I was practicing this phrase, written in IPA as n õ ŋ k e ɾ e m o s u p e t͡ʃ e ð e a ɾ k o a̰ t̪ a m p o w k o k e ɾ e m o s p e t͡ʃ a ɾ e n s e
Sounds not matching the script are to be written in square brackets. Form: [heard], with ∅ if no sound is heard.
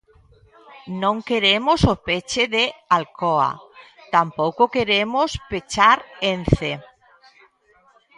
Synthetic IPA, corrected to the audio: n õ ŋ k e ɾ e m o s [o] p e t͡ʃ e ð e a [l] k o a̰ t̪ a m p o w k o k e ɾ e m o s p e t͡ʃ a ɾ e n [θ] e